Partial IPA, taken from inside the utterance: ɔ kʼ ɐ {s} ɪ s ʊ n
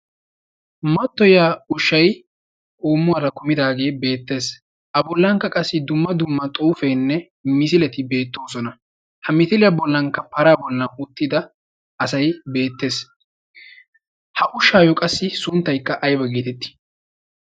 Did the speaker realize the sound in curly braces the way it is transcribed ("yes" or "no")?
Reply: no